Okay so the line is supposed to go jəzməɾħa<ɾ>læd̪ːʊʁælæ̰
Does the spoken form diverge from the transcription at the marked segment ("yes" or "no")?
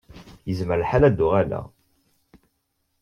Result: yes